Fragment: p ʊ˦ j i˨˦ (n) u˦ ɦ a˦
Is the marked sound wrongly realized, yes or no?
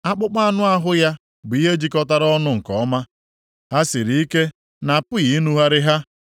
no